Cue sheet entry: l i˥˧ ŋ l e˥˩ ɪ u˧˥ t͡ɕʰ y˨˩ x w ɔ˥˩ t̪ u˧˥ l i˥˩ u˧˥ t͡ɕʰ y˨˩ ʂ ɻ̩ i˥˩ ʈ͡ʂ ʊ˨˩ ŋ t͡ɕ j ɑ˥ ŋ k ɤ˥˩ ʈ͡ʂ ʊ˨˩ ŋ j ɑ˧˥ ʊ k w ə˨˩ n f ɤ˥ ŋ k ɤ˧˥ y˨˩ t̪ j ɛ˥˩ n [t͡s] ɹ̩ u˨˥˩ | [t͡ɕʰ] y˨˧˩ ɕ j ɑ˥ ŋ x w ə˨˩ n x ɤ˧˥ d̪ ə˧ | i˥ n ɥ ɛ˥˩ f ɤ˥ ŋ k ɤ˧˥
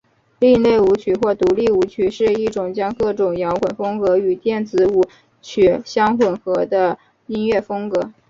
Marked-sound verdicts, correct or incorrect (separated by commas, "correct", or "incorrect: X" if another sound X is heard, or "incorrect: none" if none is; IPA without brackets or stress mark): correct, correct